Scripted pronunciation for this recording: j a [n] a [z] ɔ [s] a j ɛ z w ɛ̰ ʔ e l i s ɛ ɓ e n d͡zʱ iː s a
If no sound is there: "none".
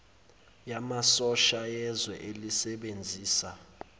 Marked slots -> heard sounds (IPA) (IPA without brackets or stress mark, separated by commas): m, s, ʃ